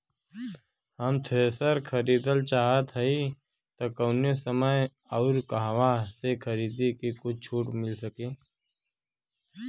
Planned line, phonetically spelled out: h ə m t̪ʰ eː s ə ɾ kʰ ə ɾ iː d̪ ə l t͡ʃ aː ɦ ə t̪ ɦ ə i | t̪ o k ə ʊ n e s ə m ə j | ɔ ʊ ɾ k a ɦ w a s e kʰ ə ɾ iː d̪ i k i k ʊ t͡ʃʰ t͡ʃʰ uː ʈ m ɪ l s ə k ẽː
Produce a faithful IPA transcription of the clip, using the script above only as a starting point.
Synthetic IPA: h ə m t̪ʰ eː s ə ɾ kʰ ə ɾ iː d̪ ə l t͡ʃ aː ɦ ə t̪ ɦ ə i | t̪ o k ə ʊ n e s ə m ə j | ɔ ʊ ɾ k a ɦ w a s e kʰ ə ɾ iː d̪ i k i k ʊ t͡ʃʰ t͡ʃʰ uː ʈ m ɪ l s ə k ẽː